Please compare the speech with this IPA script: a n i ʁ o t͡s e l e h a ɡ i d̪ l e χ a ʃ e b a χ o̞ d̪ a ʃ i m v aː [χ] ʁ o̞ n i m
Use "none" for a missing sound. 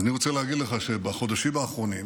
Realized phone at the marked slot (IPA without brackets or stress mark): χ